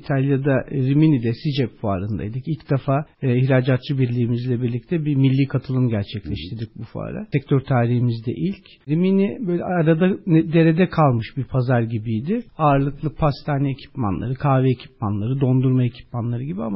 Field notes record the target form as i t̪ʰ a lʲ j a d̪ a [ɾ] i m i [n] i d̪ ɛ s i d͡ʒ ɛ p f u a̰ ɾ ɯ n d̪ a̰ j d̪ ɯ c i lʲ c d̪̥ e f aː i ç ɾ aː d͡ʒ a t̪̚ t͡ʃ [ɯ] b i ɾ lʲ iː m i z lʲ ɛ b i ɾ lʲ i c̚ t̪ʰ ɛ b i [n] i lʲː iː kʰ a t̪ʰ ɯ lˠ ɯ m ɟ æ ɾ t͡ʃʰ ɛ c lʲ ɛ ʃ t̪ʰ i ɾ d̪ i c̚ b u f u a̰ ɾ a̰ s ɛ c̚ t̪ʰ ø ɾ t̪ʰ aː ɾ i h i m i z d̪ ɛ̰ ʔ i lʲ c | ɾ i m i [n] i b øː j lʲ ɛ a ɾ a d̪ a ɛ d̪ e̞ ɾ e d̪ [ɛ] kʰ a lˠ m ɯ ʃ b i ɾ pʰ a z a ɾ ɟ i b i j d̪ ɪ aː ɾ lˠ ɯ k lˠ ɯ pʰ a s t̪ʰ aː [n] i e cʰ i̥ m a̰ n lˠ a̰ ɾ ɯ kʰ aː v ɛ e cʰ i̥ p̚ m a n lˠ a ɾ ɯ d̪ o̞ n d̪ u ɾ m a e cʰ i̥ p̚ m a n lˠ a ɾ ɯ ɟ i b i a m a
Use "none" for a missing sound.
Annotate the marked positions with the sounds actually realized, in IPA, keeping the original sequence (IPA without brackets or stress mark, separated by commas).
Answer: ɾ, n, ɯ, m, n, ɛ, n